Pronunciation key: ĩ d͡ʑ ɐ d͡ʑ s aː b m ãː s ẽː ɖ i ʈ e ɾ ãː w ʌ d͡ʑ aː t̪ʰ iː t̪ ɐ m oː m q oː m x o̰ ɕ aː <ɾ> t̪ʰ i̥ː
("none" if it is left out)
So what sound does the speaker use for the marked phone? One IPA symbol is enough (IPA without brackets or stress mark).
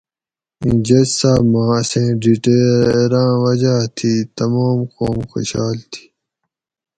l